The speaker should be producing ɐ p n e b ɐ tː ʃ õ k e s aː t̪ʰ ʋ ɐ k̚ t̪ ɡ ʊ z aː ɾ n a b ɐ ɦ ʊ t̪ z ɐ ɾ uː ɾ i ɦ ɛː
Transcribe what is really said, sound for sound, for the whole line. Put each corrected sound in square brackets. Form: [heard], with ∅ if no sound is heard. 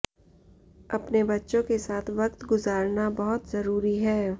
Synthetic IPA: ɐ p n e b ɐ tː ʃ õ k e s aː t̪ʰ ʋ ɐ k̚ t̪ ɡ ʊ z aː ɾ n a b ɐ ɦ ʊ t̪ z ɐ ɾ uː ɾ i ɦ ɛː